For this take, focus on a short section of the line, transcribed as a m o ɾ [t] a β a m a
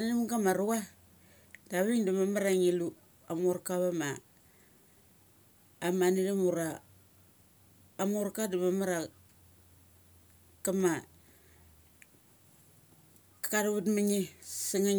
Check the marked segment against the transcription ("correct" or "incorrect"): incorrect